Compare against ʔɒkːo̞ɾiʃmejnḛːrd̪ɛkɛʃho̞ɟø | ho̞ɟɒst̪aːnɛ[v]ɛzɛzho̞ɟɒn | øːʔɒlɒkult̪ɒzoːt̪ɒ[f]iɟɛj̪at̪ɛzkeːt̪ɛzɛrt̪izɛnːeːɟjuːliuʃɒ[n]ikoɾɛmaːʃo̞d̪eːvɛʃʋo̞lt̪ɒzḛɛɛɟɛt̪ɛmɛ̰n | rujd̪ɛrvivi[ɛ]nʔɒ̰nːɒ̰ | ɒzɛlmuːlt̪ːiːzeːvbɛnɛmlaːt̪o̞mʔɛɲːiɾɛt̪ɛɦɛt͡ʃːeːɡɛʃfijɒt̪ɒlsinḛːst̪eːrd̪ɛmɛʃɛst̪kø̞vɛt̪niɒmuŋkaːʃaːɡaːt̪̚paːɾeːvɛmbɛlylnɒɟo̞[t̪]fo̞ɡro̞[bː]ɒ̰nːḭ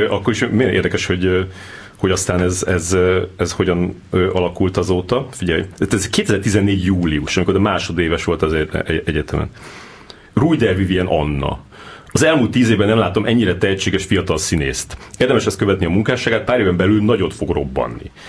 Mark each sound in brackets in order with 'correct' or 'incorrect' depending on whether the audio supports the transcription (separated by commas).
incorrect, correct, incorrect, correct, correct, correct